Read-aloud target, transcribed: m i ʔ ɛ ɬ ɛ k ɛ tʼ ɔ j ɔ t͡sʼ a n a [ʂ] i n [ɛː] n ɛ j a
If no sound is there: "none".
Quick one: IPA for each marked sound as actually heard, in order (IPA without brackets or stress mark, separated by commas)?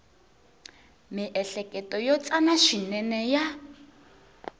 ʃ, ɛ